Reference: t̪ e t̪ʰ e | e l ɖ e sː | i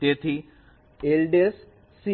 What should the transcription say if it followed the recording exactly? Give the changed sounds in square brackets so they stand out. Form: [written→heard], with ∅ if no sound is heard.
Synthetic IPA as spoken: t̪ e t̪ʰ [e→i] | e l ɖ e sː | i